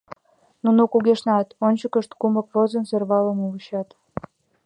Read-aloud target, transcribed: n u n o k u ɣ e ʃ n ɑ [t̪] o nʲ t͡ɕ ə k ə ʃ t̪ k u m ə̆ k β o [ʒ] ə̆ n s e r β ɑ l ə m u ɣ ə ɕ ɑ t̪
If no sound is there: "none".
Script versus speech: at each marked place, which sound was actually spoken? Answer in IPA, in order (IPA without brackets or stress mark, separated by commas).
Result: t̪, z